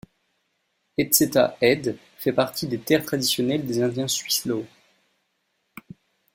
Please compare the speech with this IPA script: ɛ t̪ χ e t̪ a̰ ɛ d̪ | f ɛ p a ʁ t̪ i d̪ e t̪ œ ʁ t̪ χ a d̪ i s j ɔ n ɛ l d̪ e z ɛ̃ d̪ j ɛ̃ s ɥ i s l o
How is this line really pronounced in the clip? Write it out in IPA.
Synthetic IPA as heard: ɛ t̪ s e t̪ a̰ ɛ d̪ | f ɛ p a ʁ t̪ i d̪ e t̪ ɛ ʁ t̪ χ a d̪ i s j ɔ n ɛ l d̪ e z ɛ̃ d̪ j ɛ̃ s ɥ i s l o